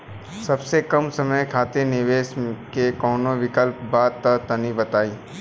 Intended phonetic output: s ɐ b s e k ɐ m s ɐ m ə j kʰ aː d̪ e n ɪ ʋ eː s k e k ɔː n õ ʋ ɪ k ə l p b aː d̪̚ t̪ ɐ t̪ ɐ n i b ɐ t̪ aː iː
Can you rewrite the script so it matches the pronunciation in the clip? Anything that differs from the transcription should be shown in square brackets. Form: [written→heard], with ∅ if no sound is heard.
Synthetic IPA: s ɐ b s e k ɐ m s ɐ m ə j kʰ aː [d̪→t̪] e n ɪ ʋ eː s k e k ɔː n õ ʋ ɪ k ə l p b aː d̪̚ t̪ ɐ t̪ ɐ n i b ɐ t̪ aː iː